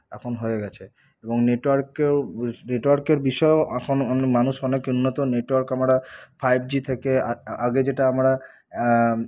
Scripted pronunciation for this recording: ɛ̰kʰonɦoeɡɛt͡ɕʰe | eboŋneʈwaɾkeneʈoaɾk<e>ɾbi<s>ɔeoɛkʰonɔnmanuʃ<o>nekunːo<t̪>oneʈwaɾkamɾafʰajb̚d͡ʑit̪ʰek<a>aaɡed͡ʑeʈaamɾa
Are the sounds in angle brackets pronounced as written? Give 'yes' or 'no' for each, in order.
yes, no, no, yes, no

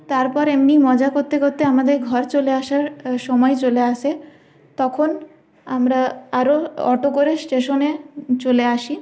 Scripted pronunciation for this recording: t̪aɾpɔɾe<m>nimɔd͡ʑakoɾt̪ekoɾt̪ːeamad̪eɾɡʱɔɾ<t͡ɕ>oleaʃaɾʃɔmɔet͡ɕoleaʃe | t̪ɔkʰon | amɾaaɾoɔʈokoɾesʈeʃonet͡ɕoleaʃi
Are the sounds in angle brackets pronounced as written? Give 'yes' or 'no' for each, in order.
yes, yes

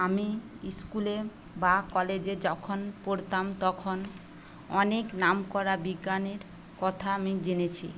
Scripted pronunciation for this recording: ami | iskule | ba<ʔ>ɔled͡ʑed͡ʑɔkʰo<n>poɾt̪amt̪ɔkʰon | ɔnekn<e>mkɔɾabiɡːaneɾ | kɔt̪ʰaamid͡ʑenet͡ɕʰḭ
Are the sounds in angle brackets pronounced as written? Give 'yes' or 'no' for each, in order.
no, yes, no

